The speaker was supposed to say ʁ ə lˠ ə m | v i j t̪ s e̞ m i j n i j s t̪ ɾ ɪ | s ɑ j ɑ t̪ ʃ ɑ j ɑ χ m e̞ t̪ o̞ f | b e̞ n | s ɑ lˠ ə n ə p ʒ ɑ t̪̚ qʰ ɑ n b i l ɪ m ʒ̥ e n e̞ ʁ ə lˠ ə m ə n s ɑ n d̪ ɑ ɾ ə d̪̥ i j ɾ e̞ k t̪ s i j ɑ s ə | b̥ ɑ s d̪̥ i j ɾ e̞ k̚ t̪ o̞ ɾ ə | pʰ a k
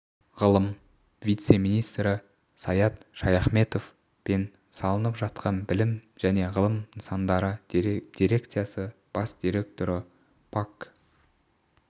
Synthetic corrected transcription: ʁ ə lˠ ə m | v i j t̪ s e̞ m i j n i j s t̪ ɾ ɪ | s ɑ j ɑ t̪ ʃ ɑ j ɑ χ m e̞ t̪ o̞ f | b e̞ n | s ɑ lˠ ə n ə p ʒ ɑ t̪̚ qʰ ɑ n b ɪ l ɪ m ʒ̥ æ n e̞ ʁ ə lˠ ə m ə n s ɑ n d̪ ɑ ɾ ə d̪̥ i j ɾ e̞ k t̪ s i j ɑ s ə | b̥ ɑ s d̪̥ i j ɾ e̞ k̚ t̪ o̞ ɾ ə | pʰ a k